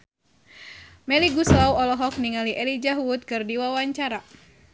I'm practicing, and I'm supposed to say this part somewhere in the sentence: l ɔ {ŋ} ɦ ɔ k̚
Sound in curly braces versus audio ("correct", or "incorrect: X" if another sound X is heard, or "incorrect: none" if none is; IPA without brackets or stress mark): incorrect: none